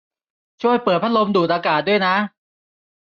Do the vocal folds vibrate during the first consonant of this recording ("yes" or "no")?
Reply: no